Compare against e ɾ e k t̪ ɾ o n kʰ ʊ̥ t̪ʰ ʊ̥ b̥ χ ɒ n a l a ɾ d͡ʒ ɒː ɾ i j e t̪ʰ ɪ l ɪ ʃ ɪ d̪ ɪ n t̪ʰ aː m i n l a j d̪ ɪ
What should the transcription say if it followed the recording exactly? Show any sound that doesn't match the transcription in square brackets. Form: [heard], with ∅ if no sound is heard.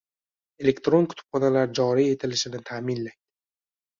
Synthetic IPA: e [l] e k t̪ ɾ o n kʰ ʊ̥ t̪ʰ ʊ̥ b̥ χ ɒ n a l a ɾ d͡ʒ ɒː ɾ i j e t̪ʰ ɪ l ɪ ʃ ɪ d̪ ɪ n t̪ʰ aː m i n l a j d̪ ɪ